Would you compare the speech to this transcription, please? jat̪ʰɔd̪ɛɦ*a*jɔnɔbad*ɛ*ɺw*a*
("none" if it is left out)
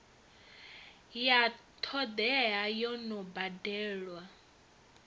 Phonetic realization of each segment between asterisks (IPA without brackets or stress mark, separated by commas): a, ɛː, a